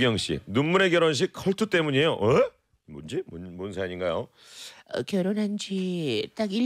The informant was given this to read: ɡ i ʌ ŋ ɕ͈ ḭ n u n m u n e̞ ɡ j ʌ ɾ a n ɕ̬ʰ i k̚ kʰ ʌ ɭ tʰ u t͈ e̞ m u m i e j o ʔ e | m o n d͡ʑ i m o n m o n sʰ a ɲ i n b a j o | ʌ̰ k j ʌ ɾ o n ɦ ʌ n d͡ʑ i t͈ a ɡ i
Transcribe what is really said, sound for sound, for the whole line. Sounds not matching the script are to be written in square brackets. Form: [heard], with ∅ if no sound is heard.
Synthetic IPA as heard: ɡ [j] ʌ ŋ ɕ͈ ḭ n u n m u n e̞ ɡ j ʌ ɾ [ʌ] n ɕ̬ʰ i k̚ kʰ ʌ ɭ tʰ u t͈ e̞ m u [ɲ] i e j o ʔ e | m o n d͡ʑ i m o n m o n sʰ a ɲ i n [ɡ] a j o | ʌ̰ k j ʌ ɾ o n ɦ [a] n d͡ʑ i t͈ a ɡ i